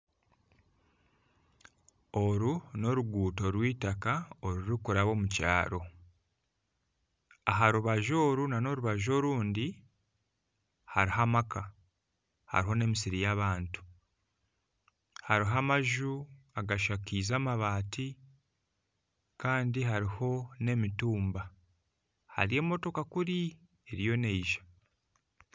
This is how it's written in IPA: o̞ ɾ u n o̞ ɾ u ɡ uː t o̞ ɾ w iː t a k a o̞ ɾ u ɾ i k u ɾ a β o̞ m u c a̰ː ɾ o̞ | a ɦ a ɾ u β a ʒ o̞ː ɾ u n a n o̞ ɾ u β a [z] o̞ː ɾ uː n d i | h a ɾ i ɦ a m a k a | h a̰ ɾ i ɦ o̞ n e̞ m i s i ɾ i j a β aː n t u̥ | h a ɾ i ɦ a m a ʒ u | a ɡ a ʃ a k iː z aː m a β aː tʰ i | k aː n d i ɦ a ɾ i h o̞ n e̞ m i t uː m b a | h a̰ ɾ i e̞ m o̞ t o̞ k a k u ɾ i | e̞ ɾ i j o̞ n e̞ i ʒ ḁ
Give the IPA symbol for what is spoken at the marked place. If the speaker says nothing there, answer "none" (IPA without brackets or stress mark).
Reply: ʒ